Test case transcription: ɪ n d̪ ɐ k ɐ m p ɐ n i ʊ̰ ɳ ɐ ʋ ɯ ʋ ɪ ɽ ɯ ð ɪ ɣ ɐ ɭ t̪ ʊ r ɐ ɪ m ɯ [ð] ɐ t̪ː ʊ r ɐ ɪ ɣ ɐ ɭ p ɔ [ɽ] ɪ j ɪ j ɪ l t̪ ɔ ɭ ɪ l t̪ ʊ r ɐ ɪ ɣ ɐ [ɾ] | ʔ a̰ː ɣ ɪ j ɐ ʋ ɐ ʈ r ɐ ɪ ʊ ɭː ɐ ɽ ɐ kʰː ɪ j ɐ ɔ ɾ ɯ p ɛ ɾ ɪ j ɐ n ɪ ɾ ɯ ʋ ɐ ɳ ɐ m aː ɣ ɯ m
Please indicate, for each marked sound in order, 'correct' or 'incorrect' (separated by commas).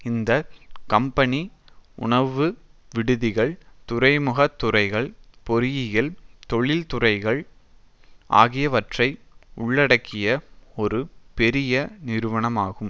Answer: incorrect, incorrect, incorrect